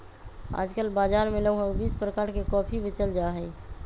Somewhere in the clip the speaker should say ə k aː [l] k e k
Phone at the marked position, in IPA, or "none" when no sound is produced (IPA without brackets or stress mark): ɾ